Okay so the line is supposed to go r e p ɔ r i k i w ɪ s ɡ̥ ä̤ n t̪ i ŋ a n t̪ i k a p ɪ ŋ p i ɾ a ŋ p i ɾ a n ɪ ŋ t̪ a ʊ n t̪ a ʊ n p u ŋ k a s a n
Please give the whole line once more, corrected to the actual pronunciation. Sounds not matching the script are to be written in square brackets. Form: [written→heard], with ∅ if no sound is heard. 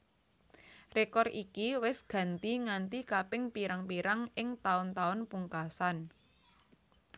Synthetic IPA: r e [p→k] ɔ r i k i w ɪ s ɡ̥ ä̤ n t̪ i ŋ a n t̪ i k a p ɪ ŋ p i ɾ a ŋ p i ɾ a [n→ŋ] ɪ ŋ t̪ a ʊ n t̪ a ʊ n p u ŋ k a s a n